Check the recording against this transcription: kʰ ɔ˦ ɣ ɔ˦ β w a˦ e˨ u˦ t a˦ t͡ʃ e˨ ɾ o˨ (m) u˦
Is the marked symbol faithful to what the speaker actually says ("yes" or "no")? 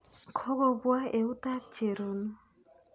no